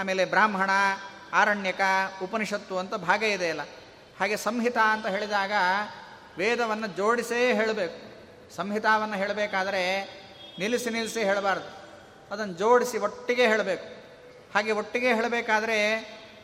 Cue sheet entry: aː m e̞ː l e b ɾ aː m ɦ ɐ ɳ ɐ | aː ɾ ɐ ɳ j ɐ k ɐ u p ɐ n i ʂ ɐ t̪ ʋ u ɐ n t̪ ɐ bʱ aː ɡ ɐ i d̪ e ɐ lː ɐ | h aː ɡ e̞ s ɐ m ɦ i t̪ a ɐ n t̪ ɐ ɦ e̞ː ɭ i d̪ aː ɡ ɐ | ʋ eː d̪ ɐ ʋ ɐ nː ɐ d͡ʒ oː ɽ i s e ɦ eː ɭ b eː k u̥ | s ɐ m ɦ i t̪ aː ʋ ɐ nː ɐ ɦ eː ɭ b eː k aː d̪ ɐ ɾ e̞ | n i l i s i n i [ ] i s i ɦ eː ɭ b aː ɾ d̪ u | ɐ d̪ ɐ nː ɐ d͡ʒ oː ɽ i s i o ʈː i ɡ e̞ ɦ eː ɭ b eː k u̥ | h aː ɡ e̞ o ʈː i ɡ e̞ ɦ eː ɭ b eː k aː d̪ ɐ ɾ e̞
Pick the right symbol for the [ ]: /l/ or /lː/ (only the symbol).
l